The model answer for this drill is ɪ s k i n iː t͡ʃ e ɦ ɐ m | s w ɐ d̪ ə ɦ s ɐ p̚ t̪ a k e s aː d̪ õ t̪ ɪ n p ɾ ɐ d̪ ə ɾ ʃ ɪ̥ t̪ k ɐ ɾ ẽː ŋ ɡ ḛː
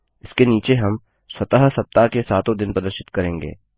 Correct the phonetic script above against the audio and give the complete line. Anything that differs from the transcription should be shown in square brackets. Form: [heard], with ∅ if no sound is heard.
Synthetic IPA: ɪ s k [e] n iː t͡ʃ e ɦ ɐ m | s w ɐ [t̪] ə ɦ s ɐ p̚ t̪ a k e s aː [t̪] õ [d̪] ɪ n p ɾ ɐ d̪ ə ɾ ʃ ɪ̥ t̪ k ɐ ɾ ẽː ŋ ɡ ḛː